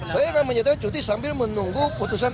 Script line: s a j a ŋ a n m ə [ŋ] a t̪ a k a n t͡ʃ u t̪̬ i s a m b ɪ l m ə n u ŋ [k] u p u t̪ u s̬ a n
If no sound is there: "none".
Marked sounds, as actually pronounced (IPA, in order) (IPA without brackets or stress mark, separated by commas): ɲ, ɡ